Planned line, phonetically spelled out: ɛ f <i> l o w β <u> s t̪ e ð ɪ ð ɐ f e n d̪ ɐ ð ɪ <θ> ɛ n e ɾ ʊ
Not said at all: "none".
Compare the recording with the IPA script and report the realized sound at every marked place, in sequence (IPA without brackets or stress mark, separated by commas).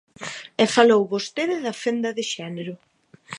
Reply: a, o, ʃ